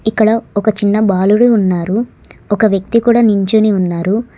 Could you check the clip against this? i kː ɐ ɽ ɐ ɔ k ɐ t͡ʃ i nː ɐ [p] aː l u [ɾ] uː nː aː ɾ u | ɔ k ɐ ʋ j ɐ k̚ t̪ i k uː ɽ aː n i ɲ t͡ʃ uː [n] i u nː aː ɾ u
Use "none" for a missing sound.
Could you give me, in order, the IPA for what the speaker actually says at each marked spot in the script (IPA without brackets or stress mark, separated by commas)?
b, ɽ, n